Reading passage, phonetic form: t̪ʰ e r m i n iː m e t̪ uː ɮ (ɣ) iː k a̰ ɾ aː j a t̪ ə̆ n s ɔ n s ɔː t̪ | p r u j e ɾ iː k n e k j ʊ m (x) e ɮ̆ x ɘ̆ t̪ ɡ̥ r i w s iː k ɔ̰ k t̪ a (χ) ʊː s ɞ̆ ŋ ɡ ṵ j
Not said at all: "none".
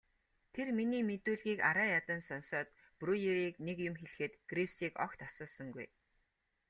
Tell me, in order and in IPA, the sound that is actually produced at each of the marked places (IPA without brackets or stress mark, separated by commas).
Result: ɣ, x, s